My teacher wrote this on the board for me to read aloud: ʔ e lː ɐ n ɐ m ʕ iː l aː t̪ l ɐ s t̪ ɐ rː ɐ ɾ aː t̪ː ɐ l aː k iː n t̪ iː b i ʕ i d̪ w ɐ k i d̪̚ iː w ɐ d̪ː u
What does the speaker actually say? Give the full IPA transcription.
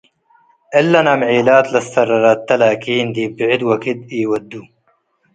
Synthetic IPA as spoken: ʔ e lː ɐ n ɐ m ʕ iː l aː t̪ l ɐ s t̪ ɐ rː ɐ ɾ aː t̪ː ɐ l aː k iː n d̪ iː b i ʕ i d̪ w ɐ k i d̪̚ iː w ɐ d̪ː u

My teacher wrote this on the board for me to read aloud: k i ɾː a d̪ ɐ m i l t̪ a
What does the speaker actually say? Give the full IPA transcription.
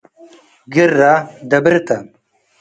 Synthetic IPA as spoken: ɡ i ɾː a d̪ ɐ b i ɾ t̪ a

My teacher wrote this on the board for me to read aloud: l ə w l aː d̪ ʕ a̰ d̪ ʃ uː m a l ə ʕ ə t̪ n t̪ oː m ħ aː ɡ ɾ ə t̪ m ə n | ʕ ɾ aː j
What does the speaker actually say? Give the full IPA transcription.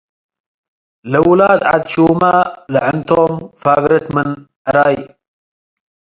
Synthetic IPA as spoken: l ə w l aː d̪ ʕ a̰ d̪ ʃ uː m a l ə ʕ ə n t̪ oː m f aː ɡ ɾ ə t̪ m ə n | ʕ ɾ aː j

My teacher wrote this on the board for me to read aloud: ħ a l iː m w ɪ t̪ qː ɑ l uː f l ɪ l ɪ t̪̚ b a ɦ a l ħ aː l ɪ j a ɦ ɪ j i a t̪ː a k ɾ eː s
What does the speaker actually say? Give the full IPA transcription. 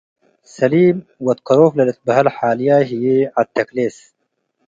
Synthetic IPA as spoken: s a l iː m w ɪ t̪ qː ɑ ɾ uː f l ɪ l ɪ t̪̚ b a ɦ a l ħ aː l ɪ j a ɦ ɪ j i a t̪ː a k l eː s

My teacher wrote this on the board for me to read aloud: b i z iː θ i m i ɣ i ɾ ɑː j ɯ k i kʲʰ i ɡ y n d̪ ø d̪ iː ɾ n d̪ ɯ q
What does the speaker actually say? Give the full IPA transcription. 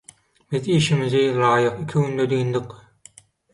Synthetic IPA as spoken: b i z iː ʃ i m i z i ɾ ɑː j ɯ q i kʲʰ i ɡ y n d̪ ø d̪ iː n d̪ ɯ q

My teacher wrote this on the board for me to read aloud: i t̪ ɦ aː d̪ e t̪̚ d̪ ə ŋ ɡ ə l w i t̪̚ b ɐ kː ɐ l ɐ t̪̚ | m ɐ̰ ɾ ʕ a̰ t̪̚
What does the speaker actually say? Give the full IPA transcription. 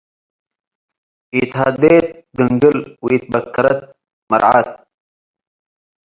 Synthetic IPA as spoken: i t̪ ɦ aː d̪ e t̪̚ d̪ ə ŋ ɡ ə l w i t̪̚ b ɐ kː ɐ ɾ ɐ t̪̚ | m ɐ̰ ɾ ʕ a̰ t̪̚

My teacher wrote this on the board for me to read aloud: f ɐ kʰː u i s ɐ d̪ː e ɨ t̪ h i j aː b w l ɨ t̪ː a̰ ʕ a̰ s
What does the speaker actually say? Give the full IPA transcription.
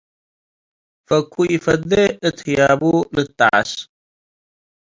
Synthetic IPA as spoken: f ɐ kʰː u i f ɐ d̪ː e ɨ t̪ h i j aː b u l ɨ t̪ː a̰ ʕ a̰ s

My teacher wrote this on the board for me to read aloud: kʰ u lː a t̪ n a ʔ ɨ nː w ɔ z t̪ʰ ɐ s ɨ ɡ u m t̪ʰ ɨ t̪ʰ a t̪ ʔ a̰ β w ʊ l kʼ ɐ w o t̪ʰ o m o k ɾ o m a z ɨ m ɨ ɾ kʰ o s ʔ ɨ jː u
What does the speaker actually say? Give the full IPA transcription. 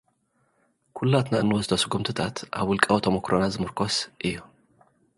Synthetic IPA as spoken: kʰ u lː a t̪ n a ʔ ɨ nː w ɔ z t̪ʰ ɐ s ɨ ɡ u m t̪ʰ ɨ t̪ʰ a t̪ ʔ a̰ β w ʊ l kʼ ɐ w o t̪ʰ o m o k ɾ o n a z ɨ m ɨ ɾ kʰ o s ʔ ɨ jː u

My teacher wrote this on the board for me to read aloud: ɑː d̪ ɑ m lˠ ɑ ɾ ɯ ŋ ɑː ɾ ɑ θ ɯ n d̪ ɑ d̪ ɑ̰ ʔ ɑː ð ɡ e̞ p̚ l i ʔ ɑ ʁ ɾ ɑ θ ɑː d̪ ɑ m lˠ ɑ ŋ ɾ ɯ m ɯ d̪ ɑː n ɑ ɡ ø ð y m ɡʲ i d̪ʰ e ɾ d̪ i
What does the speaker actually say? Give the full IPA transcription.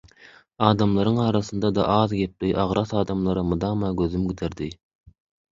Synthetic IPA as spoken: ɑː d̪ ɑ m lˠ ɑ ɾ ɯ ŋ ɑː ɾ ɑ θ ɯ n d̪ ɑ d̪ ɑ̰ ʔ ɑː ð ɡ e̞ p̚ l i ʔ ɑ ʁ ɾ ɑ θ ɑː d̪ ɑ m lˠ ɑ ɾ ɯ m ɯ d̪ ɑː m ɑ ɡ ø ð y m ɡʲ i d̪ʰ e ɾ d̪ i

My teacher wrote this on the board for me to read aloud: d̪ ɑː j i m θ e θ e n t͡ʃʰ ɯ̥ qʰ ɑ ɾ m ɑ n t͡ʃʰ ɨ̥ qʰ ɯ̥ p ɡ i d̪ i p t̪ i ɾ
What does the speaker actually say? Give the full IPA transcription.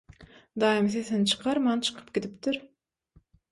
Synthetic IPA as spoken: d̪ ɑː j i m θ e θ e n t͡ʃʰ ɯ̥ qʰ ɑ ɾ m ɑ n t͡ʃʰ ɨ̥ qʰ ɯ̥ p ɡ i d̪ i p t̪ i ɾ

